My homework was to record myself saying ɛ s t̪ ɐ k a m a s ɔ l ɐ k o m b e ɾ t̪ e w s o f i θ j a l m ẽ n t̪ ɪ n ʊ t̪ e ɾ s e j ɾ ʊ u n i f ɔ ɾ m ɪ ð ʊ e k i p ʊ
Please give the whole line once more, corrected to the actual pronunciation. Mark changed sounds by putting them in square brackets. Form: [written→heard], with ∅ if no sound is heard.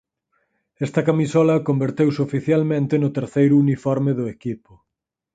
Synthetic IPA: ɛ s t̪ ɐ k a m [a→i] s ɔ l ɐ k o m b e ɾ t̪ e w s o f i θ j a l m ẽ n t̪ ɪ n ʊ t̪ e ɾ [s→θ] e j ɾ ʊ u n i f ɔ ɾ m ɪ ð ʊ e k i p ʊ